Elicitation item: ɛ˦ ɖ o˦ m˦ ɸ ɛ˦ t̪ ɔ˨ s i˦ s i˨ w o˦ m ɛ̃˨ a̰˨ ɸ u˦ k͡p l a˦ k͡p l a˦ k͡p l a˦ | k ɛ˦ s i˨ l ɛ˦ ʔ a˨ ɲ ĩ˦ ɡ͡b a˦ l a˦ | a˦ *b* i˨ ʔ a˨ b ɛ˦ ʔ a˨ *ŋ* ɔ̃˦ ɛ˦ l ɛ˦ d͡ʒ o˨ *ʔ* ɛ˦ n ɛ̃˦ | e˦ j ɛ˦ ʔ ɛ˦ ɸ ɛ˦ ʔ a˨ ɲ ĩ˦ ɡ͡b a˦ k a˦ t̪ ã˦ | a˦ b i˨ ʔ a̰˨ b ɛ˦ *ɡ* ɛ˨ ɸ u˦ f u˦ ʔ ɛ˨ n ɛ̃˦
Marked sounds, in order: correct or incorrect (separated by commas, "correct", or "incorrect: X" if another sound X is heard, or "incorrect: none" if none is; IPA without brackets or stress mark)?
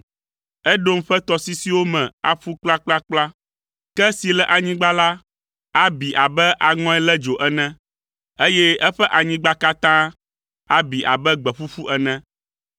correct, correct, correct, incorrect: ɡ͡b